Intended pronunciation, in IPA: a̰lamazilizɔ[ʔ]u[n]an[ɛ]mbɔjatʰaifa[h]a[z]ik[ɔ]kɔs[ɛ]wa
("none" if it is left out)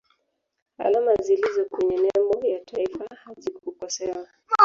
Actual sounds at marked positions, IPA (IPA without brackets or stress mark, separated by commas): k, ɲ, ɛ, h, z, u, ɛ